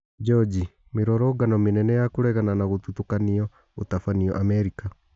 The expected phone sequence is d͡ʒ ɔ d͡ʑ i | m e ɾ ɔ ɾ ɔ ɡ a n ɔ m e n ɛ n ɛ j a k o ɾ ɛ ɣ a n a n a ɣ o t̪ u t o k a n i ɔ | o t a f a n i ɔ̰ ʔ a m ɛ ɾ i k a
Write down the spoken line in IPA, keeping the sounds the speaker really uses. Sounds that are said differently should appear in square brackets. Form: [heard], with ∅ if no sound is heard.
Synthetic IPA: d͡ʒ ɔ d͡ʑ i | m e ɾ ɔ ɾ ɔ ɡ a n ɔ m e n ɛ n ɛ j a k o ɾ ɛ ɣ a n a n a ɣ o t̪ u t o k a n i ɔ | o t a f a n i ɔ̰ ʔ a m ɛ ɾ i k a